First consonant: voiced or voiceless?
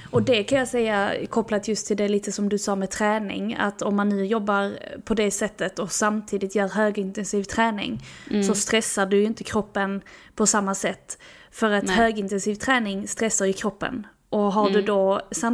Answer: voiced